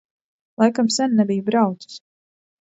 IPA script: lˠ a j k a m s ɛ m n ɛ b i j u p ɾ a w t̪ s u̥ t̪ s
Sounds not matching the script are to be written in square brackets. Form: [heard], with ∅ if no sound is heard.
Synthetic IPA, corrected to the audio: lˠ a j k a m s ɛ [n] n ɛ b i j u [b] ɾ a w t̪ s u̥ [∅] s